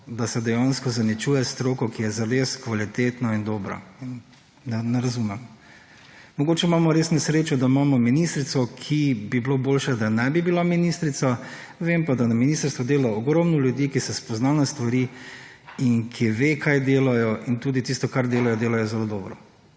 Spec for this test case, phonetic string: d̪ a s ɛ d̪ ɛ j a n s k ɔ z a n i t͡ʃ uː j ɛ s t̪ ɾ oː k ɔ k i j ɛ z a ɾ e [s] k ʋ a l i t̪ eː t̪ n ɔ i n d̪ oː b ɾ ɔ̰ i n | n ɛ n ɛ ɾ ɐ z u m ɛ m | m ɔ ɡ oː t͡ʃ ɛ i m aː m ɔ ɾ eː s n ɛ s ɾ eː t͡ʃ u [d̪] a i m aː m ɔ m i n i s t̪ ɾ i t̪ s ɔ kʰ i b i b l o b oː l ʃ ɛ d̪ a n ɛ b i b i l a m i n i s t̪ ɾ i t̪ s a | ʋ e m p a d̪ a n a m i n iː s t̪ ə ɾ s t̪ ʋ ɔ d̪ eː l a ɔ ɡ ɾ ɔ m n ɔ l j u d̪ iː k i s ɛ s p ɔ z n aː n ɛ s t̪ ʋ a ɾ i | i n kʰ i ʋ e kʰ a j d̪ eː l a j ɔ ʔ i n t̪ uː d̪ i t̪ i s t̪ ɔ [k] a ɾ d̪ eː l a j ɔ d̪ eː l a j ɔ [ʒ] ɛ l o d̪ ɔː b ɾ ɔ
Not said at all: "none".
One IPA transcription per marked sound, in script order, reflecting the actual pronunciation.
s, d̪, k, z

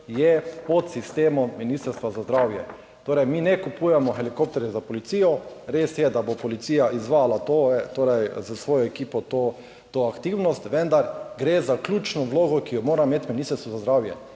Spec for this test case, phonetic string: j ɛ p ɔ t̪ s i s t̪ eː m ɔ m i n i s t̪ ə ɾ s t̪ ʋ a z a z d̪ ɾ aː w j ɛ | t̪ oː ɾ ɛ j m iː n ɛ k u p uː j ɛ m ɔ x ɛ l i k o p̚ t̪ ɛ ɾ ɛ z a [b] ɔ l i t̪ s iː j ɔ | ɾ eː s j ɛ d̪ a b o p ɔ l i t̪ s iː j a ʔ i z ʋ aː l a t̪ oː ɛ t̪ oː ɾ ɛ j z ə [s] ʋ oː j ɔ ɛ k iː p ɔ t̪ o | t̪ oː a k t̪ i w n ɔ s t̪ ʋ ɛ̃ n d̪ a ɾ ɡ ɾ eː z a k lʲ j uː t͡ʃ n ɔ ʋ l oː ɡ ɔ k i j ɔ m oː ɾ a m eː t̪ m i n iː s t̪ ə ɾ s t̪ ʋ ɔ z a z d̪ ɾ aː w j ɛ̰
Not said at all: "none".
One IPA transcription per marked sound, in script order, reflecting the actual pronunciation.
p, s

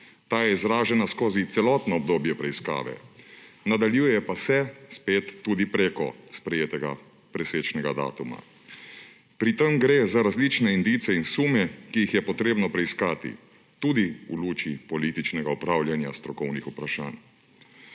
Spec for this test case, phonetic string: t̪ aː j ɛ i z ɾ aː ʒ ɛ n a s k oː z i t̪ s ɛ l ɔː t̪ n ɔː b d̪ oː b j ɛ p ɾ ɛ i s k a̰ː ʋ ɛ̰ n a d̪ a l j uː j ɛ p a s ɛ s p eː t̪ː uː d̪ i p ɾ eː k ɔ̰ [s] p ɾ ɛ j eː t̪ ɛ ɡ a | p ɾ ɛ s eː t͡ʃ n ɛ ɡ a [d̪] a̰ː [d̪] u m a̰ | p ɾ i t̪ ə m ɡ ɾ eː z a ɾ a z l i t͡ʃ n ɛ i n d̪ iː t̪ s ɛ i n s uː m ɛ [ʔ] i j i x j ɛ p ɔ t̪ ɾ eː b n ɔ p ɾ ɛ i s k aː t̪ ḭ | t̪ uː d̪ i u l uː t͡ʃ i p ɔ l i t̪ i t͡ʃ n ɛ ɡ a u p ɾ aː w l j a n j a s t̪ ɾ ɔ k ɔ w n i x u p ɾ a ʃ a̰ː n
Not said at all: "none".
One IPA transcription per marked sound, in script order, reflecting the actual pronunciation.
s, d̪, t̪, k

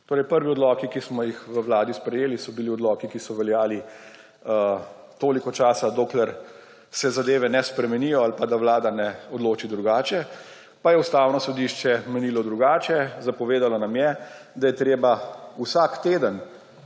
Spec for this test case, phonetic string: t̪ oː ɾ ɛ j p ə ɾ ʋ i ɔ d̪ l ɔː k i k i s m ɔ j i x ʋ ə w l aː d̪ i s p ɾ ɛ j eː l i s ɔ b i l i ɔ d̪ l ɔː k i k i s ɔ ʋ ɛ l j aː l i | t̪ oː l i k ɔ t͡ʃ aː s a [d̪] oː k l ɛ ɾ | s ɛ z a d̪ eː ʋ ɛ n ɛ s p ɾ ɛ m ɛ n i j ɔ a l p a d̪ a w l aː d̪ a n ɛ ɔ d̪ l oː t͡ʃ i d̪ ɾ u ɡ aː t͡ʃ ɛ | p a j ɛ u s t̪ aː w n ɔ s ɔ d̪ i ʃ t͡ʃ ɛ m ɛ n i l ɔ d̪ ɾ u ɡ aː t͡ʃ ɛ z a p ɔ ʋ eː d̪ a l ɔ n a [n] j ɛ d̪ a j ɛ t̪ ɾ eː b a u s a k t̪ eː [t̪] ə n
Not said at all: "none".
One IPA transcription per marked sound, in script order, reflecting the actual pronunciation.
d̪, m, d̪

